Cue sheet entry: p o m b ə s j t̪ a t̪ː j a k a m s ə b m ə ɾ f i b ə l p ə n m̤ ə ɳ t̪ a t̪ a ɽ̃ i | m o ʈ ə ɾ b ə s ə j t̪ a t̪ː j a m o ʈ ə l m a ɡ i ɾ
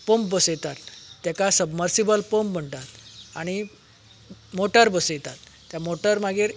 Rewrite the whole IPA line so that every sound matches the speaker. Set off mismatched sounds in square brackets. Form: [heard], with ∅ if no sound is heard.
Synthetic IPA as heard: p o m b ə s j t̪ a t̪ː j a k a [∅] s ə b m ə ɾ [s] i b ə l p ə [m] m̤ ə ɳ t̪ a t̪ a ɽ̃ i | m o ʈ ə ɾ b ə s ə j t̪ a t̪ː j a m o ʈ ə [ɾ] m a ɡ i ɾ

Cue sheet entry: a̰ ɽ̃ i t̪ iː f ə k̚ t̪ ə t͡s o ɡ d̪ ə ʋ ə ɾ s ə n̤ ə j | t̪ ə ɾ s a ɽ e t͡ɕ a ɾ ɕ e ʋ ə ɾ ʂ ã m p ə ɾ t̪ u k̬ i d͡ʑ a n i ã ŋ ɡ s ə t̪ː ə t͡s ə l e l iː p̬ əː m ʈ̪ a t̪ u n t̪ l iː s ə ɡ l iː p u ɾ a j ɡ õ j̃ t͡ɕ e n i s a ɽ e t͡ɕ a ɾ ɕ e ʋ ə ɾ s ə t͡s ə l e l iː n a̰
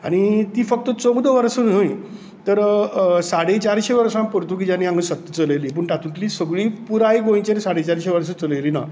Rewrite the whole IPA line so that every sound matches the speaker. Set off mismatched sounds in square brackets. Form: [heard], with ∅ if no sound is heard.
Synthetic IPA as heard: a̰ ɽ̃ i t̪ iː f ə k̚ t̪ ə t͡s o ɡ d̪ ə ʋ ə ɾ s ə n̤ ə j | t̪ ə ɾ s a ɽ e t͡ɕ a ɾ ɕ e ʋ ə ɾ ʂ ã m p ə ɾ t̪ u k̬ i d͡ʑ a n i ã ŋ ɡ s ə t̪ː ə t͡s ə l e l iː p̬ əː [ɳ] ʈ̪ a t̪ u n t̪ l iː s ə ɡ [ɭ] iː p u ɾ a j ɡ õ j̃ t͡ɕ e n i s a ɽ e t͡ɕ a ɾ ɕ e ʋ ə ɾ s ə t͡s ə l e l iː n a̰

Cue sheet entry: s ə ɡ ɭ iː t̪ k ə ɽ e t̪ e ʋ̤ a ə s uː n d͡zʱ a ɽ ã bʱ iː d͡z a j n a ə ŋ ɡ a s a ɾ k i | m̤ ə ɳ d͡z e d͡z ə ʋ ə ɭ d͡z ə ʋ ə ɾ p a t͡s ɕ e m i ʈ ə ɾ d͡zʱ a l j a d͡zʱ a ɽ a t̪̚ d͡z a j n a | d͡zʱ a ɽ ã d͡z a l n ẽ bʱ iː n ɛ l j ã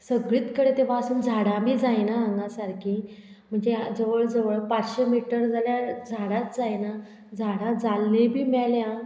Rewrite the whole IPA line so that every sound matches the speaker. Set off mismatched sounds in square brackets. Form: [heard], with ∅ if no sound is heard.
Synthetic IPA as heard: s ə ɡ ɭ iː t̪ k ə ɽ e t̪ e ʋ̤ a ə s uː n d͡zʱ a ɽ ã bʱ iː d͡z a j n a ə ŋ ɡ a s a ɾ k i | m̤ ə ɳ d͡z e d͡z ə ʋ ə ɭ d͡z ə ʋ ə [ɭ] p a t͡s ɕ e m i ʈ ə ɾ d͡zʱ a l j a d͡zʱ a ɽ a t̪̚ d͡z a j n a | d͡zʱ a ɽ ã d͡z a l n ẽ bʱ iː [m] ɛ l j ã

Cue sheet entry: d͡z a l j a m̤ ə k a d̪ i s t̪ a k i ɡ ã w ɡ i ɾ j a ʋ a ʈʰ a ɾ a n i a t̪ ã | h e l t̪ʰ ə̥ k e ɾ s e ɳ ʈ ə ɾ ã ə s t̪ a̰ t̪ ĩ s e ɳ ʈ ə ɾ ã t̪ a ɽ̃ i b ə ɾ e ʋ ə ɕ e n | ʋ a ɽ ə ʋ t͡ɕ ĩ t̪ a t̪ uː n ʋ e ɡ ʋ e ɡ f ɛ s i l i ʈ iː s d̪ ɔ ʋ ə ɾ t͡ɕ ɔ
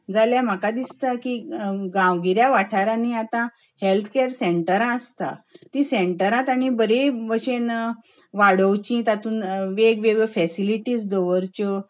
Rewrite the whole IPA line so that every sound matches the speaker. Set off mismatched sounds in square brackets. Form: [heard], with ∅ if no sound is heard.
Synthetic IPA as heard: d͡z a l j a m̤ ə k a d̪ i s t̪ a k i ɡ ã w ɡ i ɾ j a ʋ a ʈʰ a ɾ a n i a t̪ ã | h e l t̪ʰ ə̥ k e ɾ s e ɳ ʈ ə ɾ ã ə s t̪ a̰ t̪ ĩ s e ɳ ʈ ə ɾ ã t̪ a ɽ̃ i b ə ɾ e ʋ ə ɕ e n | ʋ a ɽ ə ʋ t͡ɕ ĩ t̪ a t̪ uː n ʋ e ɡ ʋ e ɡ f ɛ s i l i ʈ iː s d̪ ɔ ʋ ə ɾ t͡ɕ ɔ

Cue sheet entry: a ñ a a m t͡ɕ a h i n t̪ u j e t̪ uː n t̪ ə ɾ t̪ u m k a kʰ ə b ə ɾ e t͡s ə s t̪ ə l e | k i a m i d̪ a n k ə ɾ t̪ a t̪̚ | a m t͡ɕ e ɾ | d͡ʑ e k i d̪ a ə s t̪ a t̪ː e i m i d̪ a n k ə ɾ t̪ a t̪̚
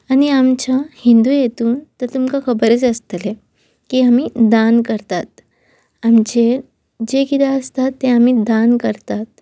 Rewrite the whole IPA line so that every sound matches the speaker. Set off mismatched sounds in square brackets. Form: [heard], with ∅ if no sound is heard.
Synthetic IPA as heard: a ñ [i] a m t͡ɕ a h i n [d̪] u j e t̪ uː n t̪ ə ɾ t̪ u m k a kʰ ə b ə ɾ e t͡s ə s t̪ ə l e | k i a m i d̪ a n k ə ɾ t̪ a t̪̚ | a m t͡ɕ e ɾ | d͡ʑ e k i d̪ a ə s t̪ a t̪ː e [a] m i d̪ a n k ə ɾ t̪ a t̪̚

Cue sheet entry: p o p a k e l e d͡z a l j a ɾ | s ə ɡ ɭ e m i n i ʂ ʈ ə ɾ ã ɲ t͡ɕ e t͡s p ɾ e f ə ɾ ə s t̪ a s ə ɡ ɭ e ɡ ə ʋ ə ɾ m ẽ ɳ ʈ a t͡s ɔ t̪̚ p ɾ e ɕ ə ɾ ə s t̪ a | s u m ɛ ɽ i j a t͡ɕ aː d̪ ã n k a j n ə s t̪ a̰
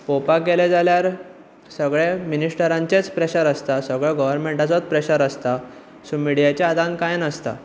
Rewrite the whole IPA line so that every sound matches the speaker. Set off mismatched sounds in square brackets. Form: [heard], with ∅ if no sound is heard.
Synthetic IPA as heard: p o p a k e l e d͡z a l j a ɾ | s ə ɡ ɭ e m i n i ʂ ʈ ə ɾ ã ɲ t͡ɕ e t͡s p ɾ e [ɕ] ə ɾ ə s t̪ a s ə ɡ ɭ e ɡ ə ʋ ə ɾ m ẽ ɳ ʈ a t͡s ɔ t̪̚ p ɾ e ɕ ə ɾ ə s t̪ a | s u m [i] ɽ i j a t͡ɕ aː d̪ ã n k a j n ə s t̪ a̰

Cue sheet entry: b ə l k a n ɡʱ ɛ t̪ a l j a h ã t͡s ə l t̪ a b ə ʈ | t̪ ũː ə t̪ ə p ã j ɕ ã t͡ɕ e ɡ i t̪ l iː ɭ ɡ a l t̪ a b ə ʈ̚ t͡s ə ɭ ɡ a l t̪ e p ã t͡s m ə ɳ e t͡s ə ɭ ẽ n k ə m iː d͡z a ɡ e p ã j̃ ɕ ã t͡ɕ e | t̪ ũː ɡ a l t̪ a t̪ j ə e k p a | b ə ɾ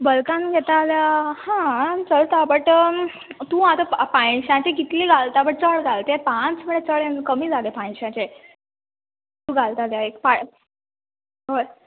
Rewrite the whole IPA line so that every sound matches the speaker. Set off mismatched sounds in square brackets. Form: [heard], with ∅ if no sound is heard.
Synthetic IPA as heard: b ə l k a n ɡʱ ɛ t̪ a l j a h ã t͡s ə l t̪ a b ə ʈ | t̪ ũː [a] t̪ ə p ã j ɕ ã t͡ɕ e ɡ i t̪ l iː [∅] ɡ a l t̪ a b ə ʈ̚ t͡s ə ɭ ɡ a l t̪ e p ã t͡s m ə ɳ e t͡s ə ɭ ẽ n k ə m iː d͡z a ɡ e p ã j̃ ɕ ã t͡ɕ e | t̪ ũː ɡ a l t̪ a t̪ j [a] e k p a | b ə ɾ

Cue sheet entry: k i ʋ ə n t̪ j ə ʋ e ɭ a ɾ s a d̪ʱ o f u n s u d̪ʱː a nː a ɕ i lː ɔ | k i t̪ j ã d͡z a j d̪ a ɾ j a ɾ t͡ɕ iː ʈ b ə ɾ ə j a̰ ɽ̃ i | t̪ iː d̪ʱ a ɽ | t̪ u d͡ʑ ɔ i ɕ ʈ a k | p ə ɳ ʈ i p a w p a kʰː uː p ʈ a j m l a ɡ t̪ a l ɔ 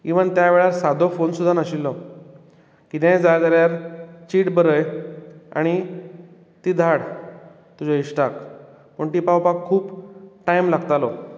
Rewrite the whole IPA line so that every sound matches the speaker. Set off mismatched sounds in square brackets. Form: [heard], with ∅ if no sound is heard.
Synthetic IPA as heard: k i ʋ ə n t̪ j [a] ʋ e ɭ a ɾ s a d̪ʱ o f [o] n s u d̪ʱː a [n] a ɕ i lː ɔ | k i t̪ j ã d͡z a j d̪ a ɾ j a ɾ t͡ɕ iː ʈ b ə ɾ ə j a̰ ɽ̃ i | t̪ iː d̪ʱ a ɽ | t̪ u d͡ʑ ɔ i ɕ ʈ a k | p ə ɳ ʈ i p a w p a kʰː uː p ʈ a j m l a ɡ t̪ a l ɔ

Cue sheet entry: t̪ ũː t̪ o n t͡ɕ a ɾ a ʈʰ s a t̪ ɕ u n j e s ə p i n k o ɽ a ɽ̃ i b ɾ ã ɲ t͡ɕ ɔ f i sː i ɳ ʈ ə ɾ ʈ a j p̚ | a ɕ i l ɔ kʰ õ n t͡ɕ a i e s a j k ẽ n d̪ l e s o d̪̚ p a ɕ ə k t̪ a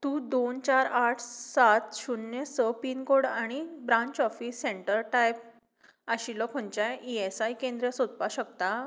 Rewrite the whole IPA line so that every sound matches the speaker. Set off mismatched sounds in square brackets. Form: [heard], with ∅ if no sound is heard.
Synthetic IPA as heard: t̪ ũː [d̪] o n t͡ɕ a ɾ a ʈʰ s a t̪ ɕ u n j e s ə p i n k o ɽ a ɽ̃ i b ɾ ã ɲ t͡ɕ ɔ f i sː [e] ɳ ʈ ə ɾ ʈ a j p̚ | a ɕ i l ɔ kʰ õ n t͡ɕ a i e s a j k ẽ n d̪ [ɾ] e s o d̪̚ p a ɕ ə k t̪ a

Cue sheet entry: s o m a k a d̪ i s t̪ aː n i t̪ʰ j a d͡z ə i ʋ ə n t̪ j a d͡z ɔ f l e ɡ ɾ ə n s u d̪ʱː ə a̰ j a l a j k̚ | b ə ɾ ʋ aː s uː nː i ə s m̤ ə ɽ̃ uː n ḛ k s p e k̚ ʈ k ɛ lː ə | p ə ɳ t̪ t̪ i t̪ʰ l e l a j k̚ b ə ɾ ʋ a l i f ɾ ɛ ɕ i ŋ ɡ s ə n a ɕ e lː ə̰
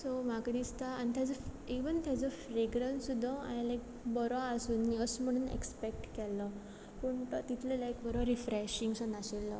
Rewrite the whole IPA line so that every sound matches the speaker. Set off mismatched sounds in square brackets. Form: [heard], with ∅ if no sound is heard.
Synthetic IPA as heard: s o m a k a d̪ i s t̪ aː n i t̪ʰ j a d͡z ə i ʋ ə n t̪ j a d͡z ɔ f [ɾ] e ɡ ɾ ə n s u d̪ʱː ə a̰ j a l a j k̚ | b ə ɾ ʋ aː s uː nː i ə s m̤ ə ɽ̃ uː n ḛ k s p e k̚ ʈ k ɛ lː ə | p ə ɳ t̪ t̪ i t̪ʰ l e l a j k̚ b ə ɾ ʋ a [ɾ] i f ɾ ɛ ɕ i ŋ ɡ s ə n a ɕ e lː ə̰

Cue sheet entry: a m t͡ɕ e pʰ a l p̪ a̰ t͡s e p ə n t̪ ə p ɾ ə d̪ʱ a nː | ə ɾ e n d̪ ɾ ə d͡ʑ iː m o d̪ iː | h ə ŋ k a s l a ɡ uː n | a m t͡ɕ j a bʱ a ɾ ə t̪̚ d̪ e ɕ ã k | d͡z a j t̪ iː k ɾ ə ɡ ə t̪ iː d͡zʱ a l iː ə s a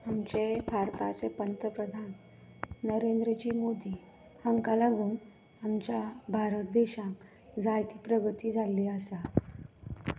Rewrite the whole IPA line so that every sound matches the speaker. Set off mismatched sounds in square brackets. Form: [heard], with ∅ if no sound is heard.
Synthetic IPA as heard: a m t͡ɕ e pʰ a [ɾ] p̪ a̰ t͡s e p ə n t̪ ə p ɾ ə d̪ʱ a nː | ə ɾ e n d̪ ɾ ə d͡ʑ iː m o d̪ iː | h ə ŋ k a [∅] l a ɡ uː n | a m t͡ɕ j a bʱ a ɾ ə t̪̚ d̪ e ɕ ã k | d͡z a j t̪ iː [p] ɾ ə ɡ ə t̪ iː d͡zʱ a l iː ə s a

